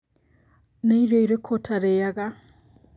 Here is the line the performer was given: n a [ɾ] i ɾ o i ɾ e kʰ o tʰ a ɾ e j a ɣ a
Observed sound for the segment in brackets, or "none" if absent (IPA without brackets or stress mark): none